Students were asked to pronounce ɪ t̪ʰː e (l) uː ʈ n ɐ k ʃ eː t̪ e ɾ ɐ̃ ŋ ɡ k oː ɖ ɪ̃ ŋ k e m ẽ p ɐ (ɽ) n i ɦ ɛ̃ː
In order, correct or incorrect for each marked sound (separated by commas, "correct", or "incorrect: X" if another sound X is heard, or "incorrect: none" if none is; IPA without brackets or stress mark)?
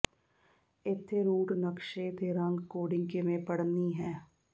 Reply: incorrect: ɾ, correct